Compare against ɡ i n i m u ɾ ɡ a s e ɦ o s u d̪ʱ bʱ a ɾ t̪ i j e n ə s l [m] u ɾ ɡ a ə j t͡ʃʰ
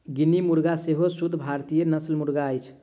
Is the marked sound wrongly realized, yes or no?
no